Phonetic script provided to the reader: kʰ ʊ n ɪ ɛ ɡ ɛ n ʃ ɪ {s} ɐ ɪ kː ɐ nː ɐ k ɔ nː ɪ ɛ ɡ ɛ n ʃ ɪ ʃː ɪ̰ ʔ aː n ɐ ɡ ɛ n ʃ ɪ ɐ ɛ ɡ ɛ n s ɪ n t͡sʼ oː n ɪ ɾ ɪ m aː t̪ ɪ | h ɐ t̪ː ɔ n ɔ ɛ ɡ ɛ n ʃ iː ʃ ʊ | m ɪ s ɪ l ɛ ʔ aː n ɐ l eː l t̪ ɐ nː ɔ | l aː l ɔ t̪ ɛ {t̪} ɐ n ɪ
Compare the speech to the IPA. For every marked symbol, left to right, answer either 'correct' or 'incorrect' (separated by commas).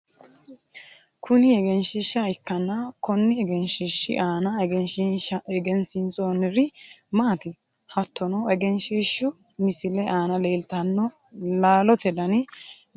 incorrect, incorrect